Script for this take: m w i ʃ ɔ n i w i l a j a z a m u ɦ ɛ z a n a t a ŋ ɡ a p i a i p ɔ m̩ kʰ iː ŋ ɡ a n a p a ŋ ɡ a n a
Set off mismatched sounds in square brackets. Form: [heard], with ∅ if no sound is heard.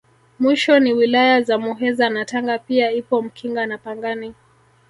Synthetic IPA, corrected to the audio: m w i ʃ ɔ n i w i l a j a z a m u ɦ ɛ z a n a t a ŋ ɡ a p i a i p ɔ m̩ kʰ [i] ŋ ɡ a n a p a ŋ ɡ a n [i]